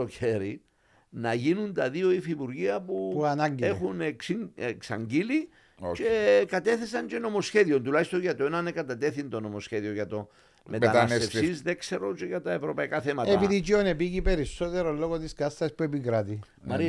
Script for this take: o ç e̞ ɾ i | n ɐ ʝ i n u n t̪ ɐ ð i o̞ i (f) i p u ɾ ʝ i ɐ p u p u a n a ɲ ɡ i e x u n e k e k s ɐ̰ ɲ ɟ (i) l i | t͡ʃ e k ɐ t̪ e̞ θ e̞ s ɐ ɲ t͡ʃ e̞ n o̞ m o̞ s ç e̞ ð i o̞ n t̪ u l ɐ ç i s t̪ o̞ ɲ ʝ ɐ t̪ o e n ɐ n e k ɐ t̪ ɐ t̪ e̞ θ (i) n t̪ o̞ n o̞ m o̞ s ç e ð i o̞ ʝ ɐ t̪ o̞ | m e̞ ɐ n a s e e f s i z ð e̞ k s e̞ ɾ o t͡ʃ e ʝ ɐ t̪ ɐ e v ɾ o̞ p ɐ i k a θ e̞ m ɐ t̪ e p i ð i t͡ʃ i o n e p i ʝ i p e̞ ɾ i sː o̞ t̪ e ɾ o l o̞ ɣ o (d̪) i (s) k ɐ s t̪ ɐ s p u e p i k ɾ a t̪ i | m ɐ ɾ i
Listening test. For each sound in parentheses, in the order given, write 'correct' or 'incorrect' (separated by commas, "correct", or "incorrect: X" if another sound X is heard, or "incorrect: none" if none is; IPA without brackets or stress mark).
correct, correct, correct, incorrect: t̪, correct